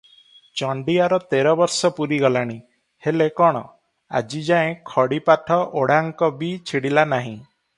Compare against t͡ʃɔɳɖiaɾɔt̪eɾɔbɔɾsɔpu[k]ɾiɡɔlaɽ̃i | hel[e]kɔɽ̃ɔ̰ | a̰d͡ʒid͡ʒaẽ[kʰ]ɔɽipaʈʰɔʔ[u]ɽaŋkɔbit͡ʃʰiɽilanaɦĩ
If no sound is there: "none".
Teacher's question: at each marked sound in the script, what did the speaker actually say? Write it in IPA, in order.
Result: none, e, kʰ, o

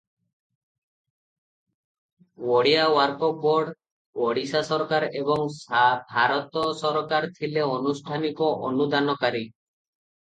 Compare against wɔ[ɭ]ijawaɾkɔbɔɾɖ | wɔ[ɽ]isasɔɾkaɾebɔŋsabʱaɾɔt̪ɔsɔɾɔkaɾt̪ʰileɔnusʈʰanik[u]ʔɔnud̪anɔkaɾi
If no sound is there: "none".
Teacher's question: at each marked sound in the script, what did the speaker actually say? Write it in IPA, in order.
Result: ɽ, ɽ, ɔ

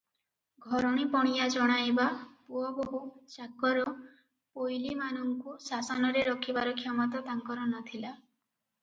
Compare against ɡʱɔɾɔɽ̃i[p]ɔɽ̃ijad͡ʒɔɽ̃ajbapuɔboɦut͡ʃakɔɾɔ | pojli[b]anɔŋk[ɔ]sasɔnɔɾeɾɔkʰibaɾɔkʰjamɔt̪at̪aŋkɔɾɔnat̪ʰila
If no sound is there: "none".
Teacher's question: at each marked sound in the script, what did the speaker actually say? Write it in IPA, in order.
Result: p, m, u

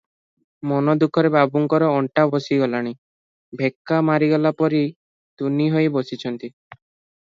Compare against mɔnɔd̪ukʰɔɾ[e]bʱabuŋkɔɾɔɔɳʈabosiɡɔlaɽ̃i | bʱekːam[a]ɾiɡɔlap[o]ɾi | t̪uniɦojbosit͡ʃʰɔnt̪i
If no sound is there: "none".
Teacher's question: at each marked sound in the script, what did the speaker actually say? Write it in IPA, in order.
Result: e, a, ɔ

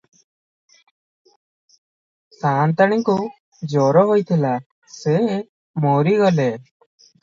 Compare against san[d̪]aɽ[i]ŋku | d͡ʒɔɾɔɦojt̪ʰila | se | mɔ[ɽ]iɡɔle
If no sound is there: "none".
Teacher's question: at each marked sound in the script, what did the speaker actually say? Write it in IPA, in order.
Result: t̪, i, ɾ

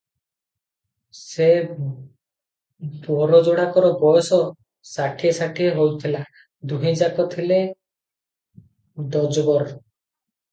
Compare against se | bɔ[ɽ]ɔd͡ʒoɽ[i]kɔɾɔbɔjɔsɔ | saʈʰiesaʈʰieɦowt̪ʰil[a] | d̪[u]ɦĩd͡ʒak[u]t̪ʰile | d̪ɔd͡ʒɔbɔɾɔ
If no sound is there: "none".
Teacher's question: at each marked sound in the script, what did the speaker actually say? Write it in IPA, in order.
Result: ɾ, a, a, u, ɔ

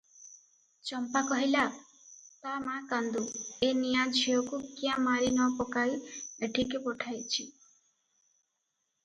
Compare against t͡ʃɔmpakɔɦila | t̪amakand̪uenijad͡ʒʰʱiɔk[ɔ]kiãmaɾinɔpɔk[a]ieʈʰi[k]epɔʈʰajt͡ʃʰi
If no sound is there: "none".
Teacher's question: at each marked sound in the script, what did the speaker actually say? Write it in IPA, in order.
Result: u, a, k

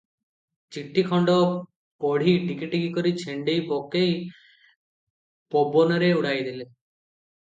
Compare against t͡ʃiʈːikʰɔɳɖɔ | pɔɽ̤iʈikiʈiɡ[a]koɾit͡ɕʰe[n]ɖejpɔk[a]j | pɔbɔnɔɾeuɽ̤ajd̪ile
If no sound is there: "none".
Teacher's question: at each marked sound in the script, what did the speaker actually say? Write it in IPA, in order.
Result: i, ɳ, e

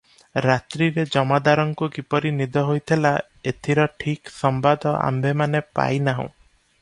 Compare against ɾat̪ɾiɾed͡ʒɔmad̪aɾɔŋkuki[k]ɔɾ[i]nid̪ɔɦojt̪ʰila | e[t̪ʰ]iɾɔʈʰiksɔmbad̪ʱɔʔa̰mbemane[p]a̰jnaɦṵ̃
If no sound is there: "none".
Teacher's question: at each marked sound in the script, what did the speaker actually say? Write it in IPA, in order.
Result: p, i, t̪ʰ, p

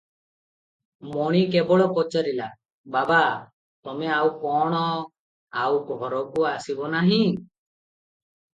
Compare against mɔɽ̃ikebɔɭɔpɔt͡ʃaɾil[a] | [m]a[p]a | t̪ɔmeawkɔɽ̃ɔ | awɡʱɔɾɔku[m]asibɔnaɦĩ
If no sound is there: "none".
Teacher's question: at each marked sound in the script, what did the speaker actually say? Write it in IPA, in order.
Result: a, b, b, none

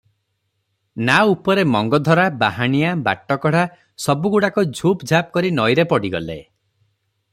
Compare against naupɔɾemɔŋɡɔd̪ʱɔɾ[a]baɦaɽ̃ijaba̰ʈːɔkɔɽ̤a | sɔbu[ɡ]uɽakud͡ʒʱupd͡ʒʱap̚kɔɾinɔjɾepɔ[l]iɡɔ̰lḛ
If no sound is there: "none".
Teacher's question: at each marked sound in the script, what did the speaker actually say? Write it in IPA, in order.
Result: a, ɡ, ɽ

